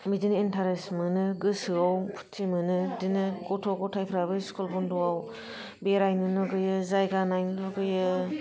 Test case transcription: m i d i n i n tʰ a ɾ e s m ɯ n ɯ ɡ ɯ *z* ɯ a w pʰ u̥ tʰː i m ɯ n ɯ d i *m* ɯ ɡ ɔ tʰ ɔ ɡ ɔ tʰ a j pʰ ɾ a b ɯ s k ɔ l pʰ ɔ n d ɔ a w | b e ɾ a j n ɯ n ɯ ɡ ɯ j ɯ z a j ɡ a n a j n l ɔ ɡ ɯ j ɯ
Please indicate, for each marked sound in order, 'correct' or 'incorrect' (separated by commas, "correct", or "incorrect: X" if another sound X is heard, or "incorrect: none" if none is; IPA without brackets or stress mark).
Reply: incorrect: s, incorrect: n